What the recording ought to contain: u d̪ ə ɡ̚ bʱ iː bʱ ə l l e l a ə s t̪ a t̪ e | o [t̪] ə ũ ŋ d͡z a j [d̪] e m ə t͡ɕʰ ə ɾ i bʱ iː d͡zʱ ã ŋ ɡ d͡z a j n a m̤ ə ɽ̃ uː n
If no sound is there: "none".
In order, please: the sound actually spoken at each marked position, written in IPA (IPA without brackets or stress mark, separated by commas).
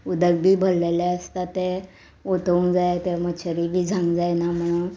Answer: t̪, t̪